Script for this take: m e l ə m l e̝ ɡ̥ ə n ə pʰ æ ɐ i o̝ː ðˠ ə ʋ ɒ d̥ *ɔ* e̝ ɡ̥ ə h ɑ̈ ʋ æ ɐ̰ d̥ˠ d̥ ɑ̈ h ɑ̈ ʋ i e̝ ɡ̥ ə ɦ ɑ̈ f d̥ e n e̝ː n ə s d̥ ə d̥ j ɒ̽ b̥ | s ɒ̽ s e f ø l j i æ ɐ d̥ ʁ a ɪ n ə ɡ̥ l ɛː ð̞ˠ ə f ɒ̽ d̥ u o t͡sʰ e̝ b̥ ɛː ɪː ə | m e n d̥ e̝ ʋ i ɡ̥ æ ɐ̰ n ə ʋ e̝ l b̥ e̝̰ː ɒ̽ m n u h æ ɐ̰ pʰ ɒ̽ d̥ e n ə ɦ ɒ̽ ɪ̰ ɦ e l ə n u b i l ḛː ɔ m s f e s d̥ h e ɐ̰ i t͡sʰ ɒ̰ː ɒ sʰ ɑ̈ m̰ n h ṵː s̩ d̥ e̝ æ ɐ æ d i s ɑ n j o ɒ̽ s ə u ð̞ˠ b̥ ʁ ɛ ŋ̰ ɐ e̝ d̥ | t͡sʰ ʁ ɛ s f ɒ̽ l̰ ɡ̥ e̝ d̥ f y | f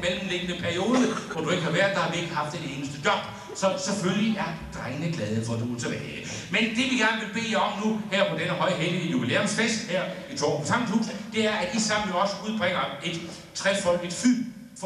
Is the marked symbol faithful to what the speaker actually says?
no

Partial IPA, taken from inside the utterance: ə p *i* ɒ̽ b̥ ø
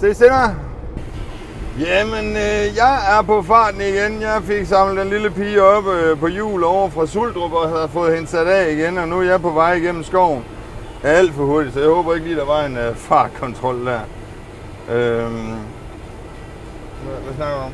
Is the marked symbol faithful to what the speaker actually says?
no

